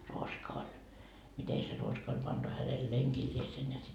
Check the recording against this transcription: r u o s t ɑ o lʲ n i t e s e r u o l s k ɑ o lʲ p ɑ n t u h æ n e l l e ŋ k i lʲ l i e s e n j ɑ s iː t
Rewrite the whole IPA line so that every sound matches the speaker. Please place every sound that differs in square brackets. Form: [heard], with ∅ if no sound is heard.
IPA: r u o s [k] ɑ o lʲ [m] i t e s e r u o [∅] s k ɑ o lʲ p ɑ n t u h æ n e l l e ŋ k i lʲ l i e s e n j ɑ s [i] t